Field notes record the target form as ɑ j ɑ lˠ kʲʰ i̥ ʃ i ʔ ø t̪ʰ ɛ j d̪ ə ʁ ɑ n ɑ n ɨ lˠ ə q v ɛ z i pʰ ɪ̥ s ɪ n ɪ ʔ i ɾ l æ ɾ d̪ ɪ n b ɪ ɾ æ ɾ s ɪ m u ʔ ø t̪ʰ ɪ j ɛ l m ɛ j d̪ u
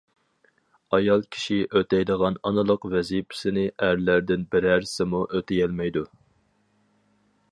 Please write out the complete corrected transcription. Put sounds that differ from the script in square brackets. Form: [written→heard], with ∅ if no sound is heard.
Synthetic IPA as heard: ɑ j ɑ lˠ kʲʰ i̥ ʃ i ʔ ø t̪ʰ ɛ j d̪ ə ʁ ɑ n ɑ n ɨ lˠ ə q v ɛ z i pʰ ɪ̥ s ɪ n ɪ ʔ [i→æ] ɾ l æ ɾ d̪ ɪ n b ɪ ɾ æ ɾ s ɪ m u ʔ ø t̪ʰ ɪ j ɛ l m ɛ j d̪ u